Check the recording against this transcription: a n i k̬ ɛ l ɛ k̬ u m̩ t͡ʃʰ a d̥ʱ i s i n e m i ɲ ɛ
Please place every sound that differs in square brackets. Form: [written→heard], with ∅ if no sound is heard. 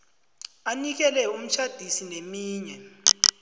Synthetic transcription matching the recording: a n i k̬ ɛ l ɛ [k̬→∅] u m̩ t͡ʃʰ a d̥ʱ i s i n e m [i→iː] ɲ ɛ